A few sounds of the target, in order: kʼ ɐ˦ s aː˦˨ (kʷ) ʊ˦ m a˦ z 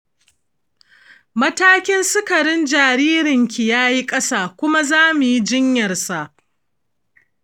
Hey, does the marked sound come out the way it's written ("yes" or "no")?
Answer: yes